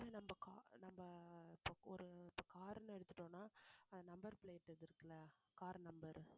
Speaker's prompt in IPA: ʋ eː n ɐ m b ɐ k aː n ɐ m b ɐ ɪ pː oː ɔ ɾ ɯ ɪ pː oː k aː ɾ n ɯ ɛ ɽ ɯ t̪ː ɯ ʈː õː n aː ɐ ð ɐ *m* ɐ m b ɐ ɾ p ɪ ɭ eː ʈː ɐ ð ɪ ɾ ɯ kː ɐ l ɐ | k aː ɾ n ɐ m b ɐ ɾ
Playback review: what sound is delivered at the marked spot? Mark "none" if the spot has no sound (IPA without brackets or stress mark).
n